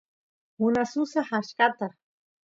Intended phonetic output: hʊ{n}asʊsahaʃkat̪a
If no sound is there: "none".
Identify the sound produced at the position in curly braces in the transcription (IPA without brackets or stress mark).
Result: n